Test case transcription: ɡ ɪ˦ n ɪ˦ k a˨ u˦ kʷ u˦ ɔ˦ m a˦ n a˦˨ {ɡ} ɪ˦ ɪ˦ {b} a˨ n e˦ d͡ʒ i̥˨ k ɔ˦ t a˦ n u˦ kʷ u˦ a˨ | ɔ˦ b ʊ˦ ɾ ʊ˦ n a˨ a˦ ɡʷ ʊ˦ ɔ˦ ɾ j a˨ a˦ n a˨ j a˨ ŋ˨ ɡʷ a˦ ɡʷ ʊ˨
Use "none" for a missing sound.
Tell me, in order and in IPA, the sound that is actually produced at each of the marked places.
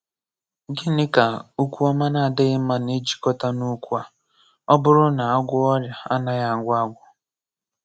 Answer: d, m

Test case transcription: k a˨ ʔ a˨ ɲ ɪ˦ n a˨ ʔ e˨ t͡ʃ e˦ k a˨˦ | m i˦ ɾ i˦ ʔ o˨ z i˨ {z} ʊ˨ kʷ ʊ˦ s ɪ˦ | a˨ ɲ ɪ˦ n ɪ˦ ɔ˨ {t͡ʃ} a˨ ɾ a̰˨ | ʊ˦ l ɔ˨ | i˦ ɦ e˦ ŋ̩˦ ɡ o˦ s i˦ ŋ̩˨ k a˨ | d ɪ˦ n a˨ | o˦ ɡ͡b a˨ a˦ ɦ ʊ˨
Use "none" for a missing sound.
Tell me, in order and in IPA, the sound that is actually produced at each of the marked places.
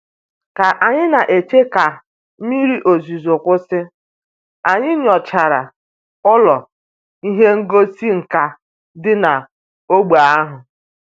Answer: z, t͡ʃ

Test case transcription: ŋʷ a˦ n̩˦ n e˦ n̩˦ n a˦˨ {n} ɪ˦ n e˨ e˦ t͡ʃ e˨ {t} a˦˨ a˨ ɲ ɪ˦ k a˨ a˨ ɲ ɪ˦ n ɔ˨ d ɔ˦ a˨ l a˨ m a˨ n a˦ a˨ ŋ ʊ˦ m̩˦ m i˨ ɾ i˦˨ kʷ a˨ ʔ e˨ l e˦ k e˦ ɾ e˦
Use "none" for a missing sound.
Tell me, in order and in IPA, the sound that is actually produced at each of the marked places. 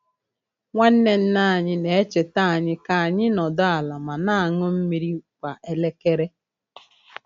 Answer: ɲ, t

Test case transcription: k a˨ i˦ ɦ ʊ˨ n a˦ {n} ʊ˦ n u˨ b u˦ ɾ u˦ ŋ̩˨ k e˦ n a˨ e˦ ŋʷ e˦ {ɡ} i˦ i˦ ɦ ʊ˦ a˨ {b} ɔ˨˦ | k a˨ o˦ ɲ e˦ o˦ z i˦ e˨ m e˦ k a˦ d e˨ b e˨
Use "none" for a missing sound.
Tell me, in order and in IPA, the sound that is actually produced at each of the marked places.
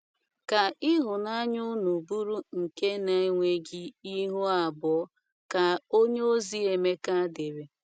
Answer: ɲ, ɡ, b

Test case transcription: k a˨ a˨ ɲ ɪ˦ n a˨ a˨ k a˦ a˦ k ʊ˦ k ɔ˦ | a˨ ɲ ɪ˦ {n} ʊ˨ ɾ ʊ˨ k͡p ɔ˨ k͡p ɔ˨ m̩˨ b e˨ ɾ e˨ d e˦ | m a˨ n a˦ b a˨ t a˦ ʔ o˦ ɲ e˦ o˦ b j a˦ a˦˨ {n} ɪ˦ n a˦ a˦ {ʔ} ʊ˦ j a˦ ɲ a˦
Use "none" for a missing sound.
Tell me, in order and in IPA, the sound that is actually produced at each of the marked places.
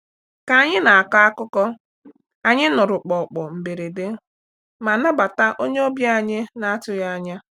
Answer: n, ɲ, t

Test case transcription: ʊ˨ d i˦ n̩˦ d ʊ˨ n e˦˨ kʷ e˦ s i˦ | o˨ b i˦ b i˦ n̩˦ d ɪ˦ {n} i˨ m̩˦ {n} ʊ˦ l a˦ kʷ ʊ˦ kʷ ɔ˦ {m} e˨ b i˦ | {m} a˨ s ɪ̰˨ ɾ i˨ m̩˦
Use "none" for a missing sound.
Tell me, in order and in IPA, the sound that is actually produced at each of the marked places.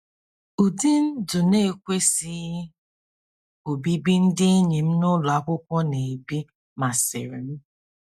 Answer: ɲ, n, n, m

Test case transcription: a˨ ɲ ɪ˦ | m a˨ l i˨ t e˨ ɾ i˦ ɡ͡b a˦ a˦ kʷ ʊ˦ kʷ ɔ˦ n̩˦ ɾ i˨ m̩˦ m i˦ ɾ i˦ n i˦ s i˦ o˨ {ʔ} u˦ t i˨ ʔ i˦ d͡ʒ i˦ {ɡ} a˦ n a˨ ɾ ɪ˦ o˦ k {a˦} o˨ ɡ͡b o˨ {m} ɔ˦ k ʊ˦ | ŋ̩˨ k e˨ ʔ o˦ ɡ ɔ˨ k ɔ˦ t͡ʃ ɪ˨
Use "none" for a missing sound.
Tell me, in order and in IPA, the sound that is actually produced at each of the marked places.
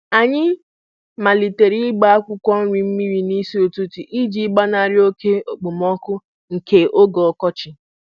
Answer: t, ɡ͡b, e˦, m

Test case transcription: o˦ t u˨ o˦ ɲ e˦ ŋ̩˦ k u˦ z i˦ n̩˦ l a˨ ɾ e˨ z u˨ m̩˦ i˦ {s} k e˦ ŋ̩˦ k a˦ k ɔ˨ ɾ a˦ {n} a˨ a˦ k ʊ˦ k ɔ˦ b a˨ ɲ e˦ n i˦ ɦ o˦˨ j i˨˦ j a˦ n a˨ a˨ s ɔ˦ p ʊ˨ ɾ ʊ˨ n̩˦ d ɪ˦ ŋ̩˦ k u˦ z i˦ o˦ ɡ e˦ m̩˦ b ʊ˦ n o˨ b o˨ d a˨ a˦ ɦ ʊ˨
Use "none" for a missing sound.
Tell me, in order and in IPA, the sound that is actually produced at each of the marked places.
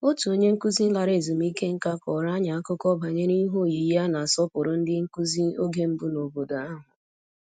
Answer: none, ɲ

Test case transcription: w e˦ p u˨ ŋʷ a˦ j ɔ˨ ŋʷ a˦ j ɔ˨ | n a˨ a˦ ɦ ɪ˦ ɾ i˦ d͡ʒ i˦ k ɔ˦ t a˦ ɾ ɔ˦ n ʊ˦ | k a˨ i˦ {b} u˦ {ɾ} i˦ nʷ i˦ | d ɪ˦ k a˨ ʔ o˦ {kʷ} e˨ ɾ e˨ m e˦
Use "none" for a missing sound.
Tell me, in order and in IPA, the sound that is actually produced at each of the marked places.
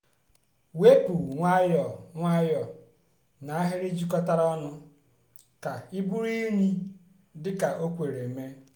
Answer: b, ɾ, kʷ

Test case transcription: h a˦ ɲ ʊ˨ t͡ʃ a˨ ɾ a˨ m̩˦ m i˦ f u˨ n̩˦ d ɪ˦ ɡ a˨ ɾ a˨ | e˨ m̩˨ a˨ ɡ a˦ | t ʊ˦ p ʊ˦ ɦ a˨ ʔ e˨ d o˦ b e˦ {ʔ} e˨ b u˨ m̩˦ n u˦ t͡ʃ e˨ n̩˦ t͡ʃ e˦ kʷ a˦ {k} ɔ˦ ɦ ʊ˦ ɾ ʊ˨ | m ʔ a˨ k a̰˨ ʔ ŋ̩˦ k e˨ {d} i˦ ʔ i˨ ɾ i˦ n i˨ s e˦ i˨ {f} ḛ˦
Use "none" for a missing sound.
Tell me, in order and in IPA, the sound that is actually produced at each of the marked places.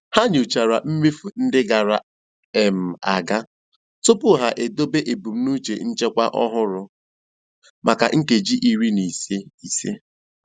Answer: ʔ, ʔ, d͡ʒ, s

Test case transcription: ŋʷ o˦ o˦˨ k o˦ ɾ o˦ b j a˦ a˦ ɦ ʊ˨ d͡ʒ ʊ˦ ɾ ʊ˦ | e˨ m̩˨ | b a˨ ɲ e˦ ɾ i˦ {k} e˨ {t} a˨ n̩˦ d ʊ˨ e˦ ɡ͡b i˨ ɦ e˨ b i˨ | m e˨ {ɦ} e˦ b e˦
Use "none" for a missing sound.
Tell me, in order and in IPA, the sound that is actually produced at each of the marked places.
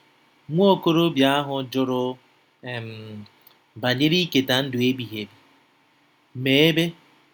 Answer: k, t, none

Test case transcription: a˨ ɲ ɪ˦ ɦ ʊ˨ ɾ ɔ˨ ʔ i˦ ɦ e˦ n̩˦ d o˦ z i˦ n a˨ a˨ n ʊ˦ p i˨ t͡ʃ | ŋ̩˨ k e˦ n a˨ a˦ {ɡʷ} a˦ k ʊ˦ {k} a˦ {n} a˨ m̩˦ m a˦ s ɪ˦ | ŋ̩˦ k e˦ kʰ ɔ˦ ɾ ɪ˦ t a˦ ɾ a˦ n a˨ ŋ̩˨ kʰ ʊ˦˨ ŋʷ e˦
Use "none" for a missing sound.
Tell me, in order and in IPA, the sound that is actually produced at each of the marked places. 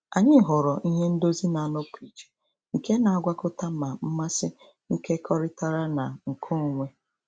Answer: ɡʷ, t, m

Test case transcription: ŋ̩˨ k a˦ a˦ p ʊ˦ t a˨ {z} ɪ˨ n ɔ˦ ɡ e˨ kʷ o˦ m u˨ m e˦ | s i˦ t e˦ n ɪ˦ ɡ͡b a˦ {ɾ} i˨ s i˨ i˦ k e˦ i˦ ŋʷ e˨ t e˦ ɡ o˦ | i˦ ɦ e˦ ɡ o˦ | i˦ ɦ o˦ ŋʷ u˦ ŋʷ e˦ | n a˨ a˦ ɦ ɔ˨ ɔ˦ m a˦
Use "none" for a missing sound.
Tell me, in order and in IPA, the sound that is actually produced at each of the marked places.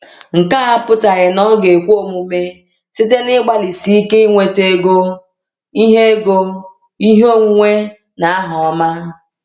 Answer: ɣ, l

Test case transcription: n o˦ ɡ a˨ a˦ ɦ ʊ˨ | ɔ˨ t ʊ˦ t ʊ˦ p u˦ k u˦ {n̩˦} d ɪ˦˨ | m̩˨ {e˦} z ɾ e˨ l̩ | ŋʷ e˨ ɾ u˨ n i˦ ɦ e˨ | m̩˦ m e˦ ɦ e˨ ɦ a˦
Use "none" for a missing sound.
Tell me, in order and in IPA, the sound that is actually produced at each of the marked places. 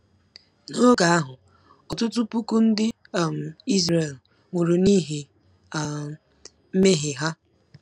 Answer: n̩˦, i˦

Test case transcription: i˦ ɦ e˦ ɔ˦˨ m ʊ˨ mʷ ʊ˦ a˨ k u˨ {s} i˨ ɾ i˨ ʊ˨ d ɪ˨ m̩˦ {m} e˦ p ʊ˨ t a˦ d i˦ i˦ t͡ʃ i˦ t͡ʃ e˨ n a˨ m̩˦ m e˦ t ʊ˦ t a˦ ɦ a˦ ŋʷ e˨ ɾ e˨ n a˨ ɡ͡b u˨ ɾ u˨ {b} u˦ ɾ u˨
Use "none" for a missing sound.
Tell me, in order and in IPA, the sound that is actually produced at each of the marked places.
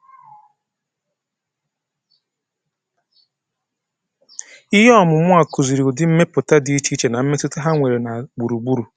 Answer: z, m, ɡ͡b

